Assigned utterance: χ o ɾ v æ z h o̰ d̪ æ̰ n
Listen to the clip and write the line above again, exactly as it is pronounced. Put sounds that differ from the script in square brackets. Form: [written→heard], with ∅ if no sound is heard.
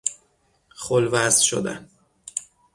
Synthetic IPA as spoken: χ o [ɾ→l] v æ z [h→ʃ] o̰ d̪ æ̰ n